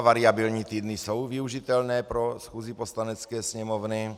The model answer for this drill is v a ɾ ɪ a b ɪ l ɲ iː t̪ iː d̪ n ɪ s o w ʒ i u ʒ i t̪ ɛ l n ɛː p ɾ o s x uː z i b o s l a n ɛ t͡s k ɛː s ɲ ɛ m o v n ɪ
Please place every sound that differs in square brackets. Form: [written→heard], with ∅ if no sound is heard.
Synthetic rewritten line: v a ɾ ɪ a b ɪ l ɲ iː t̪ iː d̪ n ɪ s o w [ʒ→v] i u ʒ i t̪ ɛ l n ɛː p ɾ o s x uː z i [b→p] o s l a n ɛ t͡s k ɛː s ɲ ɛ m o v n ɪ